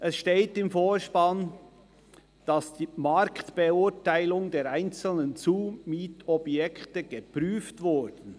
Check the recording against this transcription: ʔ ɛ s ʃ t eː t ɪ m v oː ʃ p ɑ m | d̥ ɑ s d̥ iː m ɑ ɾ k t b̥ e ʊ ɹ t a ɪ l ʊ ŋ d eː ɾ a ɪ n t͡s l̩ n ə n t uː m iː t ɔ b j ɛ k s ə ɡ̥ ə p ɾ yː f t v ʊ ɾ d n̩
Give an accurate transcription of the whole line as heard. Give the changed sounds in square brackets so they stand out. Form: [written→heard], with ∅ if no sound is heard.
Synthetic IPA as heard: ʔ ɛ s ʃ t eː t ɪ m [v→f] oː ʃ p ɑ [m→n] | d̥ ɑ s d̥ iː m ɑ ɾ k t b̥ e ʊ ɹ t a ɪ l ʊ ŋ d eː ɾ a ɪ n t͡s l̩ n ə n [t→t͡s] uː m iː t ɔ b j ɛ k [s→t] ə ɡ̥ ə p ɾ yː f t v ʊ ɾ d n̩